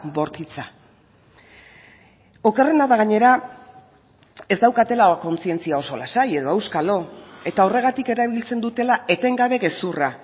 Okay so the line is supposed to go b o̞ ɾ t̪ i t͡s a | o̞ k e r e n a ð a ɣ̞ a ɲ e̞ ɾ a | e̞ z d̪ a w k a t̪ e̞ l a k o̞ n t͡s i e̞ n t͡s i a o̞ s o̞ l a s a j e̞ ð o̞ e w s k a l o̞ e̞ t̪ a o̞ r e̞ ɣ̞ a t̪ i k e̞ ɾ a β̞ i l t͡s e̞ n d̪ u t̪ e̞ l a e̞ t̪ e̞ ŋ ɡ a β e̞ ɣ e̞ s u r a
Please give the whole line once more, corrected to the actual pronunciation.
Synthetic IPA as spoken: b o̞ ɾ t̪ i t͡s a | o̞ k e r e n a ð a ɣ̞ a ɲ e̞ ɾ a | e̞ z d̪ a w k a t̪ e̞ l a k o̞ n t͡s i e̞ n t͡s i a o̞ s o̞ l a s a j e̞ ð o̞ e w s k a l o̞ e̞ t̪ a o̞ r e̞ ɣ̞ a t̪ i k e̞ ɾ a β̞ i l t͡s e̞ n d̪ u t̪ e̞ l a e̞ t̪ e̞ ŋ ɡ a β e̞ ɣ e̞ s u r a